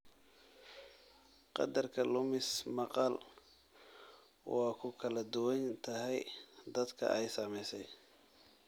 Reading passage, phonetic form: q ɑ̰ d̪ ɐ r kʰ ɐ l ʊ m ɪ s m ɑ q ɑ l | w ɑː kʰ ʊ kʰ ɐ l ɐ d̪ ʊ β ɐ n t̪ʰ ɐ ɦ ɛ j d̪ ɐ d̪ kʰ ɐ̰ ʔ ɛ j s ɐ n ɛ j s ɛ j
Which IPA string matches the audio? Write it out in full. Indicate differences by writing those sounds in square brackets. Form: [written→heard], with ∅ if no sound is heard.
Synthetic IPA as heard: q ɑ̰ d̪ ɐ r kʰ ɐ l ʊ m ɪ s m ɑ q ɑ l | w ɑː kʰ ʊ kʰ ɐ l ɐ d̪ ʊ [β→w] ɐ n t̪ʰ ɐ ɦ ɛ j d̪ ɐ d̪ kʰ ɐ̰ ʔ ɛ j s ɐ [n→m] ɛ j s ɛ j